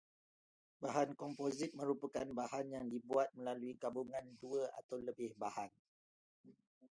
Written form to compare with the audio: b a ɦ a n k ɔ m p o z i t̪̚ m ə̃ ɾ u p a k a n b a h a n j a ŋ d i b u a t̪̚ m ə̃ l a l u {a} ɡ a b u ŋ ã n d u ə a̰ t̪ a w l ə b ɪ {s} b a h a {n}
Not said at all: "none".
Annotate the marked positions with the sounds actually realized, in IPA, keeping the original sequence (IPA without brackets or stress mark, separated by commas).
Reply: i, h, n